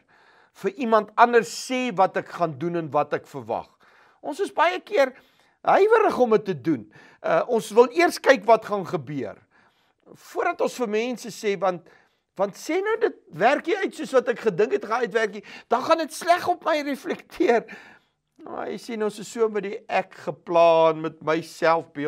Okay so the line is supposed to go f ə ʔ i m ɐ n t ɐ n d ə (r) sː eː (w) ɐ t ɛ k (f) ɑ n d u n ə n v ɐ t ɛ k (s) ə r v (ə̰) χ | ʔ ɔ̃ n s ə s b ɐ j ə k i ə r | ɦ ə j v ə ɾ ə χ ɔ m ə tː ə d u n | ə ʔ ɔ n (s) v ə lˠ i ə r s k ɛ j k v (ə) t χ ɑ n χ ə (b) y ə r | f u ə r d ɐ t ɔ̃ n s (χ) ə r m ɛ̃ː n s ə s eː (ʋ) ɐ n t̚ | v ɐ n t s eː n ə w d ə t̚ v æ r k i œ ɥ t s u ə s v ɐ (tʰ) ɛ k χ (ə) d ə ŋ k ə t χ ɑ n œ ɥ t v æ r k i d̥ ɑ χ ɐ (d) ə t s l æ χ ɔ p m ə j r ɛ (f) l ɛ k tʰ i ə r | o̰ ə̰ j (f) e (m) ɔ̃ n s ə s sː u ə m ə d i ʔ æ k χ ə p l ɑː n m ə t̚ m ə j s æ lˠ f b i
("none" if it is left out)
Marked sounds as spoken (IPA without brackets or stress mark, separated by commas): r, v, χ, f, ɐ̰, s, ɐ, b, f, v, t, ə, n, f, s, n